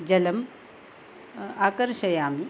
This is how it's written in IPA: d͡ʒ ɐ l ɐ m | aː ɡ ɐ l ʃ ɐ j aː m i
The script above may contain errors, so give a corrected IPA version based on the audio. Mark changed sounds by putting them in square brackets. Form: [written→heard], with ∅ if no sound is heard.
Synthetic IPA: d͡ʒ ɐ l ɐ m | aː [ɡ→k] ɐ [l→ɾ] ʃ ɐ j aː m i

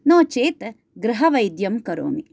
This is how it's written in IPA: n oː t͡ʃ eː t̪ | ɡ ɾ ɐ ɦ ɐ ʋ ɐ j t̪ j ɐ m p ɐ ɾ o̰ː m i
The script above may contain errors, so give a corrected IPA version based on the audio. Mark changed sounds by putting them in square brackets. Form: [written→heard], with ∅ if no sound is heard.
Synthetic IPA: n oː t͡ʃ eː t̪ | ɡ ɾ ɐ ɦ ɐ ʋ ɐ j [t̪→d̪] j ɐ m [p→k] ɐ ɾ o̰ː m i

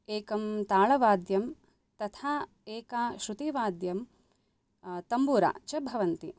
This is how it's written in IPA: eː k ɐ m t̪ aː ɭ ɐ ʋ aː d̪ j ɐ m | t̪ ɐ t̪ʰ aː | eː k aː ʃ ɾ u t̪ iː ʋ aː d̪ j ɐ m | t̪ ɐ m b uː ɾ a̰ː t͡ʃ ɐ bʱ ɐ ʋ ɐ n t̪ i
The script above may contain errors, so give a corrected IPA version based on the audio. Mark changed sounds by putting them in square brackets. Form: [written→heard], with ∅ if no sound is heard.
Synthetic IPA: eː k ɐ m t̪ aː ɭ ɐ ʋ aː d̪ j ɐ m | t̪ ɐ t̪ʰ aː | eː k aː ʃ ɾ u t̪ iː ʋ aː d̪ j ɐ m | t̪ ɐ m b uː ɾ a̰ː t͡ʃ ɐ bʱ ɐ ʋ ɐ n t̪ i

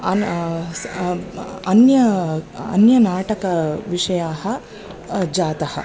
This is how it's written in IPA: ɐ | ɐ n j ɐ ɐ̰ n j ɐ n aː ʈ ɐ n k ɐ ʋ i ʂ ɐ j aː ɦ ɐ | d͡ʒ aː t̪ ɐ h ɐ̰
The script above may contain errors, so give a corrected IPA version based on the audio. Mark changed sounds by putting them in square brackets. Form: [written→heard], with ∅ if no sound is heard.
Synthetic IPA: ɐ | ɐ n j ɐ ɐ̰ n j ɐ n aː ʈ ɐ [n→∅] k ɐ ʋ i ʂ ɐ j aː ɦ ɐ | d͡ʒ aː t̪ ɐ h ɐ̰

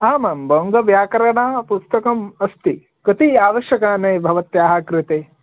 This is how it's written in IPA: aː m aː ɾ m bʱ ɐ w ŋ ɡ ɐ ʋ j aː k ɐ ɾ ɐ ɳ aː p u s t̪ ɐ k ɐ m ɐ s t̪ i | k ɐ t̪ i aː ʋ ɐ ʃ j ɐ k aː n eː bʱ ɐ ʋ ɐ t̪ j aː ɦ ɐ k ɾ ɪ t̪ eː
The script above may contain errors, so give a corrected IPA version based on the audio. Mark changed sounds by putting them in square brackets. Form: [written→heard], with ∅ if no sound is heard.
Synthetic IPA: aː m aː [ɾ→∅] m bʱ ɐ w ŋ ɡ ɐ ʋ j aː k ɐ ɾ ɐ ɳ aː p u s t̪ ɐ k ɐ m ɐ s t̪ i | k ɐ t̪ i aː ʋ ɐ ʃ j ɐ k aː n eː bʱ ɐ ʋ ɐ t̪ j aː ɦ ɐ k ɾ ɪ t̪ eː

